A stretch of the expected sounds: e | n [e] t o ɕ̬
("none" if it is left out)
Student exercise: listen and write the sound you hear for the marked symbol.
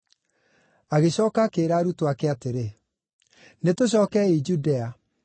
e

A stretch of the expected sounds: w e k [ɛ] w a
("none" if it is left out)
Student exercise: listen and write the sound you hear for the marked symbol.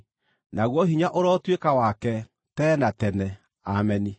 a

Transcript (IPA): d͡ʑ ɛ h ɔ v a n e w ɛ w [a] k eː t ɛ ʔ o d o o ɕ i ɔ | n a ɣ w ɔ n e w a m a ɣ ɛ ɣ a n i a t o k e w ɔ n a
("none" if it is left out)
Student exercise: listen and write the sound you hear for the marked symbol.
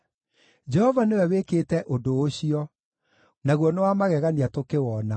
e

